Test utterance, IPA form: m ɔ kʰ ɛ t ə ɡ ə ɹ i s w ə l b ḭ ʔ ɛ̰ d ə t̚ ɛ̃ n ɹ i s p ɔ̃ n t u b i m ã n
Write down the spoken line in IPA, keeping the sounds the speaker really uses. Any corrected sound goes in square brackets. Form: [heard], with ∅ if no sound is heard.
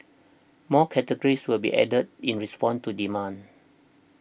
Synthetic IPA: m ɔ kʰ ɛ t ə ɡ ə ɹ i s w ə l b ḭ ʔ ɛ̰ d ə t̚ [ĩ] n ɹ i s p ɔ̃ n t u [d] i m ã n